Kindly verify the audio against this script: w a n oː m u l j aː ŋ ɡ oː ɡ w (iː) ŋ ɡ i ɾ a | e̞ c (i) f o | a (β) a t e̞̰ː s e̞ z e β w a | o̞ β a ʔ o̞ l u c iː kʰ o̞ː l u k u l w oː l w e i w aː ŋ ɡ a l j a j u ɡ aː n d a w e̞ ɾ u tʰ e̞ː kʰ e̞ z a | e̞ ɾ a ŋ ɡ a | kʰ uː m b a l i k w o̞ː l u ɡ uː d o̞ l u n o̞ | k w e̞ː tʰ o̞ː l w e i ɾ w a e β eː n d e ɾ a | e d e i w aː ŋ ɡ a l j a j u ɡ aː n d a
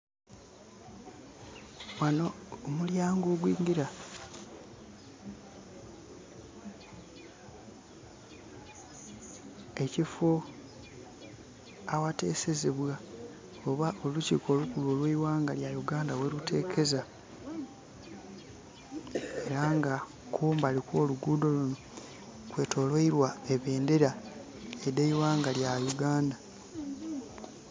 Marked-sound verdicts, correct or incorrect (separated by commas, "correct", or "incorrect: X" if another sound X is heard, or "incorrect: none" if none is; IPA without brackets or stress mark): correct, correct, incorrect: w